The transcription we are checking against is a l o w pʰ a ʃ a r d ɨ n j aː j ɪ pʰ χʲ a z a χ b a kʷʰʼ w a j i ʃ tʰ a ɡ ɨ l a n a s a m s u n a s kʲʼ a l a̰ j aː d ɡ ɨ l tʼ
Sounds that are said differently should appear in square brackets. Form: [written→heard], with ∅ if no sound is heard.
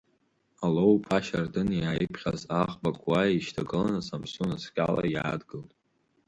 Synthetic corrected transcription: a l o w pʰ a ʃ a r d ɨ n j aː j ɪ pʰ χʲ a z a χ b a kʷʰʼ w a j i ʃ tʰ a ɡ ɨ l a n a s a m s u n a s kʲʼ a l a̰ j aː d ɡ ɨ l tʼ